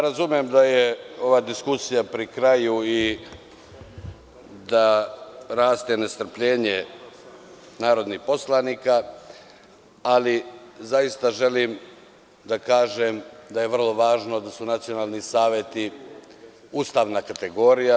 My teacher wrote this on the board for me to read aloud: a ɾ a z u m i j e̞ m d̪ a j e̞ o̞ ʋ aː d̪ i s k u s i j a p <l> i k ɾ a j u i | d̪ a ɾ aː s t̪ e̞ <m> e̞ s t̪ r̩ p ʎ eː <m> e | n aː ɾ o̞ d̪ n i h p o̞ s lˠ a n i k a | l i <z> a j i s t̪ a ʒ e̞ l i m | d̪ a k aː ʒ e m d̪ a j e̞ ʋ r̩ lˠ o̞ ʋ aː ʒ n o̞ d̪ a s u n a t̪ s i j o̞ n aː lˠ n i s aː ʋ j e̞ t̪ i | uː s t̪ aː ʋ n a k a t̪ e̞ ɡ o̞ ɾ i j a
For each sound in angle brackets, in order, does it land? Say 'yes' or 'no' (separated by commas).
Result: no, no, no, yes